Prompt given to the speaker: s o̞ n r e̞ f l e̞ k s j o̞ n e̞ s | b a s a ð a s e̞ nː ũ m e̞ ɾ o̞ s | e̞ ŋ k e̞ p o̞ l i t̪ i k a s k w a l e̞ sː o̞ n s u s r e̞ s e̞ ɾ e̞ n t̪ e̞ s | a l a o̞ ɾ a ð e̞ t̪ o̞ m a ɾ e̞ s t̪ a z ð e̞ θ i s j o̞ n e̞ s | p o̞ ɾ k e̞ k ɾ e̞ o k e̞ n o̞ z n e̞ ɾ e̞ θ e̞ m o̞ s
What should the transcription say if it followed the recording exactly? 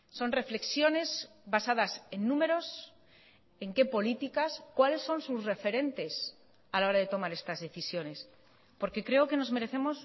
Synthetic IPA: s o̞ n r e̞ f l e̞ k s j o̞ n e̞ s | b a s a ð a s e̞ nː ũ m e̞ ɾ o̞ s | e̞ ŋ k e̞ p o̞ l i t̪ i k a s k w a l e̞ sː o̞ n s u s r e̞ f e̞ ɾ e̞ n t̪ e̞ s | a l a o̞ ɾ a ð e̞ t̪ o̞ m a ɾ e̞ s t̪ a z ð e̞ θ i s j o̞ n e̞ s | p o̞ ɾ k e̞ k ɾ e̞ o k e̞ n o̞ z m e̞ ɾ e̞ θ e̞ m o̞ s

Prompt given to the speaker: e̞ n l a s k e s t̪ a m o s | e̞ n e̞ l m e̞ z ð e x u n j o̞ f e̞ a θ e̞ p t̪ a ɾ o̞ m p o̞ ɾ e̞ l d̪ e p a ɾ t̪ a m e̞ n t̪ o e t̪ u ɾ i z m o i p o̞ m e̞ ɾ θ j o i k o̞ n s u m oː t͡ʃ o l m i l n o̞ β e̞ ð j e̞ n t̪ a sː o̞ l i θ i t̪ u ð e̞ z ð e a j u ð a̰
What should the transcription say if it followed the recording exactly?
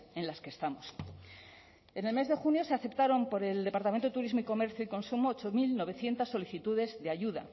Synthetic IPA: e̞ n l a s k e s t̪ a m o s | e̞ n e̞ l m e̞ z ð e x u n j o̞ s e̞ a θ e̞ p t̪ a ɾ o̞ m p o̞ ɾ e̞ l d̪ e p a ɾ t̪ a m e̞ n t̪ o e t̪ u ɾ i z m o i k o̞ m e̞ ɾ θ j o i k o̞ n s u m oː t͡ʃ o m i l n o̞ β e̞ θ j e̞ n t̪ a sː o̞ l i θ i t̪ u ð e̞ z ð e a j u ð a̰

